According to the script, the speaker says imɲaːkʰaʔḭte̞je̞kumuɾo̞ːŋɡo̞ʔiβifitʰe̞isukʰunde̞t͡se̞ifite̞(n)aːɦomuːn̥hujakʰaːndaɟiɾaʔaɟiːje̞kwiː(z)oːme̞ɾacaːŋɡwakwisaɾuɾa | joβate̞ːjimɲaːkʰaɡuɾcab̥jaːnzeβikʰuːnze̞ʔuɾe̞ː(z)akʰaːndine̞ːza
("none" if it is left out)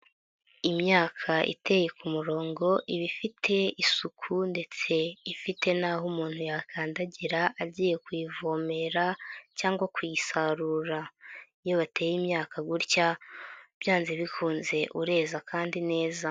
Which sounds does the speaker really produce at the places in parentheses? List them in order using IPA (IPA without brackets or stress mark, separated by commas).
n, v, z